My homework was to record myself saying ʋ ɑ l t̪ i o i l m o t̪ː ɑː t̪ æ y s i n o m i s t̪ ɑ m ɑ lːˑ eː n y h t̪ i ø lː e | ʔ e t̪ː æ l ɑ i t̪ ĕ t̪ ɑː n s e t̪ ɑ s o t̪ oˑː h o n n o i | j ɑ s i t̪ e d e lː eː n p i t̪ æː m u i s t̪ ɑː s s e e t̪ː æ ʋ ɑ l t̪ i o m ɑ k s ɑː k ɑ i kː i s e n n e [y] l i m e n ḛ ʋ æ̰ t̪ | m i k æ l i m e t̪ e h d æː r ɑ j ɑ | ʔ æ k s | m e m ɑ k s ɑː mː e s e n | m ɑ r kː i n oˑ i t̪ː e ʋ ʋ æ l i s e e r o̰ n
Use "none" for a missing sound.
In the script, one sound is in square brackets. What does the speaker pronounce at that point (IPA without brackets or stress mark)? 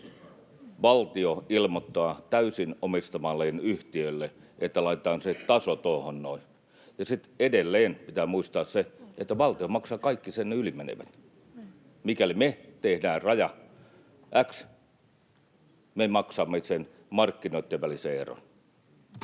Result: y